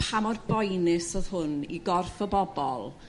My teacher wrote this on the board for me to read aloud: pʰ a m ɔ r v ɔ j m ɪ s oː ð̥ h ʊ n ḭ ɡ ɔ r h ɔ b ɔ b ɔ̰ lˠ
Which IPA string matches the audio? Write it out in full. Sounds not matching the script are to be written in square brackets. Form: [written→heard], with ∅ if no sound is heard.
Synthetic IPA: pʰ a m ɔ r [v→b] ɔ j [m→n] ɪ s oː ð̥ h ʊ n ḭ ɡ ɔ r [h→f] ɔ b ɔ b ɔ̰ lˠ